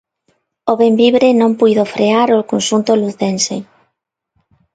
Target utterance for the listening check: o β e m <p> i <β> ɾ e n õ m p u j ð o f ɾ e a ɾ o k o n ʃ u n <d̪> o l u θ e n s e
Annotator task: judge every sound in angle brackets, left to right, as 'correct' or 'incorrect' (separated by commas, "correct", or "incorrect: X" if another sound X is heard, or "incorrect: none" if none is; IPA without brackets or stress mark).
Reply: incorrect: b, correct, incorrect: t̪